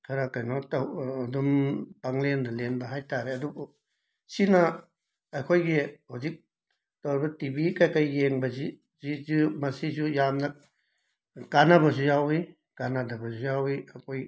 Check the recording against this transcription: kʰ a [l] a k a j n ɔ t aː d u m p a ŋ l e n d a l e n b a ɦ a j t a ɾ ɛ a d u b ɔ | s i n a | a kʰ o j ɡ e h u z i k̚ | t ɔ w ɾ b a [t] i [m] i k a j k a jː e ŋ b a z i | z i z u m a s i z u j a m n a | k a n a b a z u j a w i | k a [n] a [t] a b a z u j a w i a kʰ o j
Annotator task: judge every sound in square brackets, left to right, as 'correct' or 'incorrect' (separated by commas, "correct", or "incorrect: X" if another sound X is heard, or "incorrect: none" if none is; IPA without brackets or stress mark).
incorrect: ɾ, correct, incorrect: b, correct, incorrect: d